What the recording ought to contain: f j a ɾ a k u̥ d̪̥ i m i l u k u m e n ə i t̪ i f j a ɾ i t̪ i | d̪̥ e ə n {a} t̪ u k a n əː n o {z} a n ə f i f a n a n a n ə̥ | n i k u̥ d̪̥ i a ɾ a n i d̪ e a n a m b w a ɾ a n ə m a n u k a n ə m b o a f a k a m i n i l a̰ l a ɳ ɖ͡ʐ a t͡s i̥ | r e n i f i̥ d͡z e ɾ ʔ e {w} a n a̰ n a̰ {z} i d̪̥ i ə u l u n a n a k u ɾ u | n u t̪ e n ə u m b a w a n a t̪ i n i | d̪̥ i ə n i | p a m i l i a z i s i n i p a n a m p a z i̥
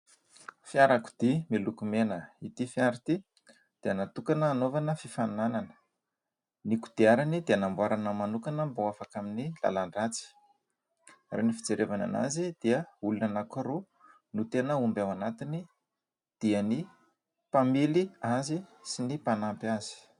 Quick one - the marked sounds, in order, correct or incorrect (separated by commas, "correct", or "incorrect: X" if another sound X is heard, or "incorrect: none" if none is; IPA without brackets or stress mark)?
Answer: correct, incorrect: v, incorrect: v, correct